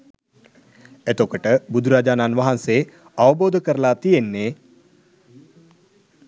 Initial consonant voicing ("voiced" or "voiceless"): voiceless